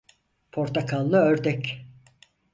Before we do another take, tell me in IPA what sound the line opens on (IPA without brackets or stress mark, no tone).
pʰ